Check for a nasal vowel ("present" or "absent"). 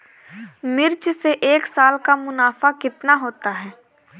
absent